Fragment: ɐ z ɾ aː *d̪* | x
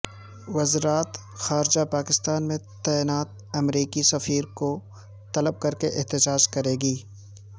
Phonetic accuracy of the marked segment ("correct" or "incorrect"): incorrect